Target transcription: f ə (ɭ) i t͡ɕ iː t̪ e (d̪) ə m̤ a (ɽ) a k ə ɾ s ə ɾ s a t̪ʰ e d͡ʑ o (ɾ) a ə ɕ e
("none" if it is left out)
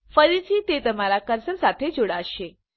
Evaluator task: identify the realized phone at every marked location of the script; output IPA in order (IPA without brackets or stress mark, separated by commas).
ɾ, t̪, l, ɽ